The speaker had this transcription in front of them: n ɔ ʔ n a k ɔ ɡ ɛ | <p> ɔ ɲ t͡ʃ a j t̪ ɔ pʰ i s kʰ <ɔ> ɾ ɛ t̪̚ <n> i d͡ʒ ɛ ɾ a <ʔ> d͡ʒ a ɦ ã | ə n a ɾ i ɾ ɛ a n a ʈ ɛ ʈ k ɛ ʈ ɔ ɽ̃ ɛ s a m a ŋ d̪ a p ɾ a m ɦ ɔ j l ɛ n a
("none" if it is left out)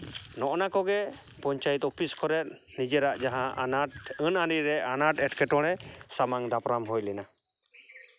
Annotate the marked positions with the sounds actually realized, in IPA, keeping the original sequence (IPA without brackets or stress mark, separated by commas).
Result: p, ɔ, n, ʔ